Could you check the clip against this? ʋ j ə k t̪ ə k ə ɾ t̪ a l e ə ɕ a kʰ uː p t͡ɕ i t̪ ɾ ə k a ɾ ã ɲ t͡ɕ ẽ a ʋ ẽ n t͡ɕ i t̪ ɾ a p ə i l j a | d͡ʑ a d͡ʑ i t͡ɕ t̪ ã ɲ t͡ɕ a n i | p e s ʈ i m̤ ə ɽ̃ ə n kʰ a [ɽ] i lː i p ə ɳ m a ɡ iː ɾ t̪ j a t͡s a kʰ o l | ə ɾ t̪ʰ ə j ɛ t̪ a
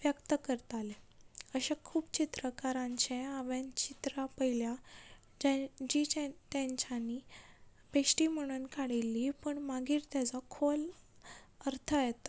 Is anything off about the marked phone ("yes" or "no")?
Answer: no